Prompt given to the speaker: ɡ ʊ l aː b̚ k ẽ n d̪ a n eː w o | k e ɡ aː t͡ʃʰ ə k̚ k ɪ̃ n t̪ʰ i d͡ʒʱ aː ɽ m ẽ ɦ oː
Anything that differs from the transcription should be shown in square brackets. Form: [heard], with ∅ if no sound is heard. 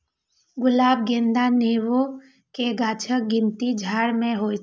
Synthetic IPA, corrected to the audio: ɡ ʊ l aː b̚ [ɡ] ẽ n d̪ a n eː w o | k e ɡ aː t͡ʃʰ ə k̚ [ɡ] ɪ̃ n [t̪] i d͡ʒʱ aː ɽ m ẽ ɦ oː